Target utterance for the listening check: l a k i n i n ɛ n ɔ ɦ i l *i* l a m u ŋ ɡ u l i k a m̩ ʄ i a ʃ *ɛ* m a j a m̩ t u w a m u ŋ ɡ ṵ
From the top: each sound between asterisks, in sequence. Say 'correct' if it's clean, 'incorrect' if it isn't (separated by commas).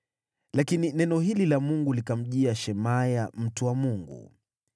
correct, correct